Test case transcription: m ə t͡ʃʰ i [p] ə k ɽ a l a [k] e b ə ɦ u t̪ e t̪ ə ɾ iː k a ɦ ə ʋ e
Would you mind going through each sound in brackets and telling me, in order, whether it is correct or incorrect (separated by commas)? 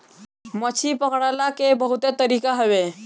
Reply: correct, correct